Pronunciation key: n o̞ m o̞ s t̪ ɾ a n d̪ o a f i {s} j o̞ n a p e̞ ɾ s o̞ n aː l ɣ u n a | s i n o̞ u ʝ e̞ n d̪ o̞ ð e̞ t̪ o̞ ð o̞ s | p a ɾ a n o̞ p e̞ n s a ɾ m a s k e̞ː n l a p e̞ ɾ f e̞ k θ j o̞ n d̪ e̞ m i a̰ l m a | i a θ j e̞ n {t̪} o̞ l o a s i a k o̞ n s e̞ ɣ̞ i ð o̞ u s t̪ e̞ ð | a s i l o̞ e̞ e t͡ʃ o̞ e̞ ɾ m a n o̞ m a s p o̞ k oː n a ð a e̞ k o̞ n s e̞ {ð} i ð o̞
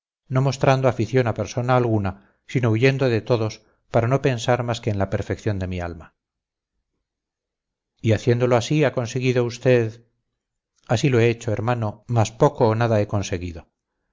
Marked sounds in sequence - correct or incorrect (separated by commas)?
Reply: incorrect, incorrect, incorrect